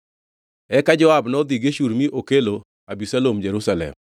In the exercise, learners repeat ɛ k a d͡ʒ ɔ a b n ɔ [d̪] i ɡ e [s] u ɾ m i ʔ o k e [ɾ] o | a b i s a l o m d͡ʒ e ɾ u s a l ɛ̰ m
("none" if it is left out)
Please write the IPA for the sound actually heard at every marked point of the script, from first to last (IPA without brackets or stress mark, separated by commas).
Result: d̪, ʃ, l